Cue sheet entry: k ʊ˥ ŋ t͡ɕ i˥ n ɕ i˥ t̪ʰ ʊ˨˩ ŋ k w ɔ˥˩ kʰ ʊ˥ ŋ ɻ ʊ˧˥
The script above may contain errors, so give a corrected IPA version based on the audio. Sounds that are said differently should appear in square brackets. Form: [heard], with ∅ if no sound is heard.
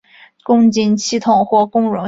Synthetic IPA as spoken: k ʊ˥ ŋ t͡ɕ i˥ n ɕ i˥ t̪ʰ ʊ˨˩ ŋ [x] w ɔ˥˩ [k] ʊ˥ ŋ ɻ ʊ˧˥

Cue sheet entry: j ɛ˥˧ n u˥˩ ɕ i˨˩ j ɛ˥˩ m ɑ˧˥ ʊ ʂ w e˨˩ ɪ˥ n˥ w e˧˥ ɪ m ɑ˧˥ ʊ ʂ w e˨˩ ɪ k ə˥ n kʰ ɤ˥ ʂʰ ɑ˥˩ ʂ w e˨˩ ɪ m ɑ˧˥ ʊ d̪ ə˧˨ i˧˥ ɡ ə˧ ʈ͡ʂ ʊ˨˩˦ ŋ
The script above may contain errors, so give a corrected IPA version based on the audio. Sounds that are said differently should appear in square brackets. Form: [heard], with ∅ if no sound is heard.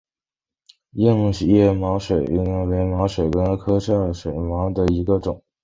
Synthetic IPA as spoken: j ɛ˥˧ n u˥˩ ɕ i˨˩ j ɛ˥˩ m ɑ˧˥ ʊ ʂ w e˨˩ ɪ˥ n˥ w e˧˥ ɪ m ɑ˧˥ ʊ ʂ w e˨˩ ɪ k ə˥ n kʰ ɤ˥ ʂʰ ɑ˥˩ ʂ w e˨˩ ɪ m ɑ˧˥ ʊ d̪ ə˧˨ i˧˥ ɡ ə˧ ʈ͡ʂ ʊ˨˩˦ ŋ

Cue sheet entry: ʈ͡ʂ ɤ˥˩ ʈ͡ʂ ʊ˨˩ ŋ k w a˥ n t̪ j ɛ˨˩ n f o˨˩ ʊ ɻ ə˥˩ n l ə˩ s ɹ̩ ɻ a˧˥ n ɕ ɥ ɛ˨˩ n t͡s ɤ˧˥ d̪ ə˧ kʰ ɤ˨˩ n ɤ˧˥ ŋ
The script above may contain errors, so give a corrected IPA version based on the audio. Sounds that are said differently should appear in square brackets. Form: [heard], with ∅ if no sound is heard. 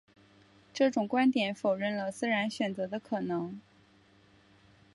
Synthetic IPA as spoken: ʈ͡ʂ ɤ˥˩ ʈ͡ʂ ʊ˨˩ ŋ k w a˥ n t̪ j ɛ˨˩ n f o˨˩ ʊ ɻ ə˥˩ n l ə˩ s ɹ̩ ɻ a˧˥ n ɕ ɥ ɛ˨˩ n t͡s ɤ˧˥ d̪ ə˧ kʰ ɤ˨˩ n ɤ˧˥ ŋ

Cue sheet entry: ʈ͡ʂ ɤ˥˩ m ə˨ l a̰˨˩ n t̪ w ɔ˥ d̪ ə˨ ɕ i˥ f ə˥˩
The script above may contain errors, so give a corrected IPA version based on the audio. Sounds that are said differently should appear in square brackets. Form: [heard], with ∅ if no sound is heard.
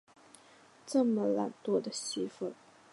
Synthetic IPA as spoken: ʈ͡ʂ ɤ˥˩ m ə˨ l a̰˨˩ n t̪ w ɔ˥ d̪ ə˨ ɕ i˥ f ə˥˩

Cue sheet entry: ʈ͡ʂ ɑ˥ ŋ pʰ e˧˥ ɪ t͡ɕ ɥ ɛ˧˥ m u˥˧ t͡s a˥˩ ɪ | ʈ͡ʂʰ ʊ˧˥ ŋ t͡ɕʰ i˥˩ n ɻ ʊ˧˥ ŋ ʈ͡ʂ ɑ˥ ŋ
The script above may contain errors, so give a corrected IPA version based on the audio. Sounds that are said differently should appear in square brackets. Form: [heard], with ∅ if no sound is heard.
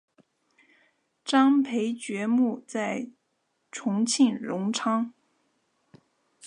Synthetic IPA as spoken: ʈ͡ʂ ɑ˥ ŋ pʰ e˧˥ ɪ t͡ɕ ɥ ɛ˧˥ m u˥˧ t͡s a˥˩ ɪ | ʈ͡ʂʰ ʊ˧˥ ŋ t͡ɕʰ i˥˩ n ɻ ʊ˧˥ ŋ [ʈ͡ʂʰ] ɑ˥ ŋ

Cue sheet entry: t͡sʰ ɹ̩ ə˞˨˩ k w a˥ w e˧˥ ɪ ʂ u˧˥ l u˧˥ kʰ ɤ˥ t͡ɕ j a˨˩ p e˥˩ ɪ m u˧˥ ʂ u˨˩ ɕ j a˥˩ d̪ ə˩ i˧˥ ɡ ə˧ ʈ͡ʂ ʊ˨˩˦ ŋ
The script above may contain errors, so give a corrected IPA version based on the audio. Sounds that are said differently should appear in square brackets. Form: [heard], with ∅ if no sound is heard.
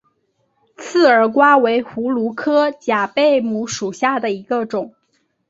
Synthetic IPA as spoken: t͡sʰ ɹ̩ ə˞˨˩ k w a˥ w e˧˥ ɪ [x] u˧˥ l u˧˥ kʰ ɤ˥ t͡ɕ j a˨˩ p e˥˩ ɪ m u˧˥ ʂ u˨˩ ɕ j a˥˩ d̪ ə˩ i˧˥ ɡ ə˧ ʈ͡ʂ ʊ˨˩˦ ŋ

